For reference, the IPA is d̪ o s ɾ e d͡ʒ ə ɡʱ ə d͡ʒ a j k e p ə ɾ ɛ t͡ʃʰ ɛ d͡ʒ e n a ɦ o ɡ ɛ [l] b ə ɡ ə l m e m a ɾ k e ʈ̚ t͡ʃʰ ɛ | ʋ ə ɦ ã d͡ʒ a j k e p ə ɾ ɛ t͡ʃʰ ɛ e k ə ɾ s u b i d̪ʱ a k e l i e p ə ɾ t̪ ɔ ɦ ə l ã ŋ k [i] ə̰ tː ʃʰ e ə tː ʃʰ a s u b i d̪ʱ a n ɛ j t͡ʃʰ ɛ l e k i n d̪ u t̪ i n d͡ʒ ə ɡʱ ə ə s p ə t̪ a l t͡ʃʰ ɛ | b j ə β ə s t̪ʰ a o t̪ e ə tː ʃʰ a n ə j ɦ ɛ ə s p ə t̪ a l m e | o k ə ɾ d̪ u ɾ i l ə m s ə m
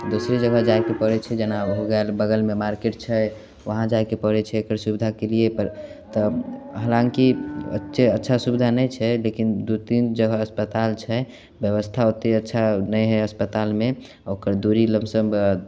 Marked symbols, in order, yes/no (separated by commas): yes, yes